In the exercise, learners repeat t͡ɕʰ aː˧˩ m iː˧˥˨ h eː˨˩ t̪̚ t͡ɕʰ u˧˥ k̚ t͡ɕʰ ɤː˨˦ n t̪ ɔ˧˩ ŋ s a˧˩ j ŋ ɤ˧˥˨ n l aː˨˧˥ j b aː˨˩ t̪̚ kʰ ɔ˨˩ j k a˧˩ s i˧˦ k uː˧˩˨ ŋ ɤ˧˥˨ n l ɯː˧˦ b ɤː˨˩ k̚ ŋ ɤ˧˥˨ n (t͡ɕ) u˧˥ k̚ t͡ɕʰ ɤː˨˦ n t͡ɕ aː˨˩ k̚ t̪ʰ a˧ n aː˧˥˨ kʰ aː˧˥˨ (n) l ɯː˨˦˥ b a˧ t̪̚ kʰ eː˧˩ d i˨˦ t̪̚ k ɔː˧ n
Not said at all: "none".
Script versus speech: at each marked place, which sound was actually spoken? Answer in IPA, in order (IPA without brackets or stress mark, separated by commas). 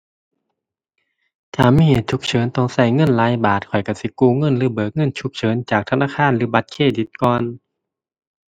t͡ɕʰ, n